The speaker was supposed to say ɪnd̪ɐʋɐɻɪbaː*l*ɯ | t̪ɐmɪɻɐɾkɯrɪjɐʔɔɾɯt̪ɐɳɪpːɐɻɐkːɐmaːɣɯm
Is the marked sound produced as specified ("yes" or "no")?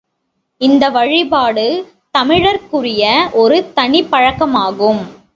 no